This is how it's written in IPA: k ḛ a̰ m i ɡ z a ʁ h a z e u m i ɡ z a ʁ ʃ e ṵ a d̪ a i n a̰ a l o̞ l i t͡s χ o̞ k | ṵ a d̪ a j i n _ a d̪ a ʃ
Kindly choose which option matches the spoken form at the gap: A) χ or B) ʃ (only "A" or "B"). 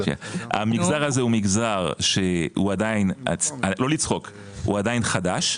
A